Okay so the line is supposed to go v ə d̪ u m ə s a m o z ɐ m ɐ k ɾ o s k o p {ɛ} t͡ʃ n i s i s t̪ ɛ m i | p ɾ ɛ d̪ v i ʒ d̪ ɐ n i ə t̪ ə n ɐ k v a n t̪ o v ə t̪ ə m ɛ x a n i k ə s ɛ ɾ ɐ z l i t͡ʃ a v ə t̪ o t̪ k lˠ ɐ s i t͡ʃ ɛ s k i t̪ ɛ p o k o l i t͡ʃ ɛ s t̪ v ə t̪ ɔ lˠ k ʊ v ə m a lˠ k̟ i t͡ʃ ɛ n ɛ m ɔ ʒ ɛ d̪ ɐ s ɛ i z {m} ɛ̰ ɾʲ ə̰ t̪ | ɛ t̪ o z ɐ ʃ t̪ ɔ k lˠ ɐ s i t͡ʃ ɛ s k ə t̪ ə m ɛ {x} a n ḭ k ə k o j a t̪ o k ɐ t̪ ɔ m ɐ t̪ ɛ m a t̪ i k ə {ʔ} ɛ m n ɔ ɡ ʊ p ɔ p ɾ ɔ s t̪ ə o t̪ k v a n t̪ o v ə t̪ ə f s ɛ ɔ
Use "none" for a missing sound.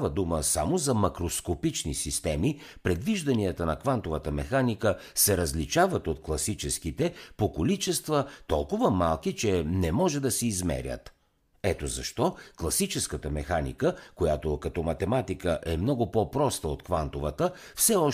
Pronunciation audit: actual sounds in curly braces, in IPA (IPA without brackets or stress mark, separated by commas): i, m, x, ʔ